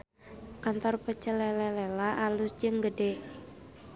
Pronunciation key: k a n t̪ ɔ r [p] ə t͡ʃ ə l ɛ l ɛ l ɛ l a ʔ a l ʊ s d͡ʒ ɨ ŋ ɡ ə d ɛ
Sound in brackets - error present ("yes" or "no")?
no